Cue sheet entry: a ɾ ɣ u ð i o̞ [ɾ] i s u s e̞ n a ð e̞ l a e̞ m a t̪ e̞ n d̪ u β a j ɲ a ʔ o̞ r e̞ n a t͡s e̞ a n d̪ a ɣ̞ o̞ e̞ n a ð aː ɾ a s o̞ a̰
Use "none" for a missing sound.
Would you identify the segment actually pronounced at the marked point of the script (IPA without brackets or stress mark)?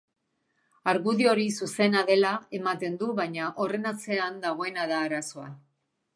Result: ɾ